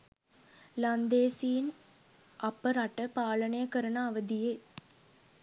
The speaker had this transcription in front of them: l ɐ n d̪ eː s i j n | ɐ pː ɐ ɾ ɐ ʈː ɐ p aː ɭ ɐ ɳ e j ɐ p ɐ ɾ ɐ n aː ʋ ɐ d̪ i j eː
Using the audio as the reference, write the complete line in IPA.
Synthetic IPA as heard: l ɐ n d̪ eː s i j n | ɐ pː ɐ ɾ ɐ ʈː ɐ p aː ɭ ɐ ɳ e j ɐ k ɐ ɾ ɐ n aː ʋ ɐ d̪ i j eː